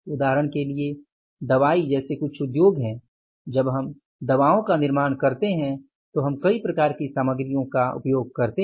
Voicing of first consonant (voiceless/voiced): voiced